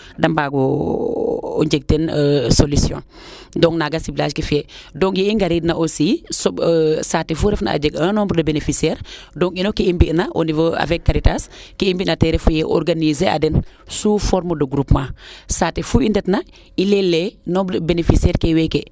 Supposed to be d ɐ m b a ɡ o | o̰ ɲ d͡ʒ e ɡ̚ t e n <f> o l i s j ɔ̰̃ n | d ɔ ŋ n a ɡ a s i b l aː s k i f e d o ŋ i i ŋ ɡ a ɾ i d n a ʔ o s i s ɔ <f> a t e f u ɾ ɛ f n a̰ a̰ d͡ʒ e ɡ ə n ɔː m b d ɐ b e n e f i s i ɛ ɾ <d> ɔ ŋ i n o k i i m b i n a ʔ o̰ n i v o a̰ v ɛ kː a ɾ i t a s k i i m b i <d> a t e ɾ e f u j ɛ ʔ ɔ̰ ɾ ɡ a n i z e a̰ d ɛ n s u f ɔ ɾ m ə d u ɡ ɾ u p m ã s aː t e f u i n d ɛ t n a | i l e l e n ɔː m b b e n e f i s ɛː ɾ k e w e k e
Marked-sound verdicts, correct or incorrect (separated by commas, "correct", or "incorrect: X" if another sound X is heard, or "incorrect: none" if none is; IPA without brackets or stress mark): incorrect: s, incorrect: s, correct, incorrect: n